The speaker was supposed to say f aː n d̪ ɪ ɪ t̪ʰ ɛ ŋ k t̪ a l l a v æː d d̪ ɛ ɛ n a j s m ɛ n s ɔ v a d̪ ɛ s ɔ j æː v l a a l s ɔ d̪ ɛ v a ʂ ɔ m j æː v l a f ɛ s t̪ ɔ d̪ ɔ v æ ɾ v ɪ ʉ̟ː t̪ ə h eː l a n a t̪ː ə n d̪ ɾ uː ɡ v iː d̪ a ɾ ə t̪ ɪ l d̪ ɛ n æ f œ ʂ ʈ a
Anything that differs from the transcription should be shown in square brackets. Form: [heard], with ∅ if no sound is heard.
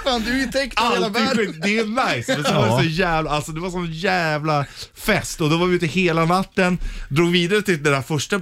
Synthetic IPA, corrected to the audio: f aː n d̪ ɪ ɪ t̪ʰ ɛ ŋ k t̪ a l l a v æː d d̪ ɛ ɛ n a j s m ɛ n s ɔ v a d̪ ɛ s ɔ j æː v l a a l s ɔ d̪ ɛ v a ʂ ɔ [n] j æː v l a f ɛ s t̪ ɔ d̪ ɔ v [a] ɾ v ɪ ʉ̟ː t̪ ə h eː l a n a t̪ː ə n d̪ ɾ uː ɡ v iː d̪ a ɾ ə t̪ ɪ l d̪ ɛ n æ f œ ʂ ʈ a